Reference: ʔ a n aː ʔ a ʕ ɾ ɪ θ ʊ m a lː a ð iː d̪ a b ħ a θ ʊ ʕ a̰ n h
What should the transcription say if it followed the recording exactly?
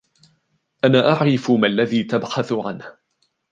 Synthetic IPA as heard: ʔ a n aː ʔ a ʕ ɾ ɪ f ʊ m a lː a ð iː t̪ a b ħ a θ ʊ ʕ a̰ n h